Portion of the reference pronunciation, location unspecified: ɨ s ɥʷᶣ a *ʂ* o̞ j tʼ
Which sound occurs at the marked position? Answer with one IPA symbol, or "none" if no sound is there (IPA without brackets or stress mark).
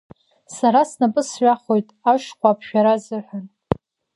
χ